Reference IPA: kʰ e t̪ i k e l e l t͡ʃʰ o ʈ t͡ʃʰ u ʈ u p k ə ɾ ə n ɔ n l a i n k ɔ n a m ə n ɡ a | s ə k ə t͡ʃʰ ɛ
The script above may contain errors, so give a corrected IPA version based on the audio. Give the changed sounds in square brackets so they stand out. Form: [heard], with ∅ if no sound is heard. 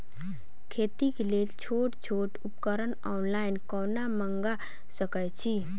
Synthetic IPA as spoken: kʰ e t̪ i k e l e l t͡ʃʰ o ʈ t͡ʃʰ [o] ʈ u p k ə ɾ ə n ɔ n l a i n k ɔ n a m ə [ŋ] ɡ a | s ə k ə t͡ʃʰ [i]